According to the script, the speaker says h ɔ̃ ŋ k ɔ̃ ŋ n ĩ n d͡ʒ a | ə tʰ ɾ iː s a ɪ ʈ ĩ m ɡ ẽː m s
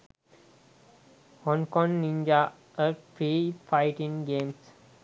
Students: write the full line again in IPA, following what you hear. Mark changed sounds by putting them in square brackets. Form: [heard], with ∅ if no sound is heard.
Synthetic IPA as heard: h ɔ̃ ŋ k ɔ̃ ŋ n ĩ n d͡ʒ a | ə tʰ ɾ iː [f] a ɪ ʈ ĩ [ŋ] ɡ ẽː m s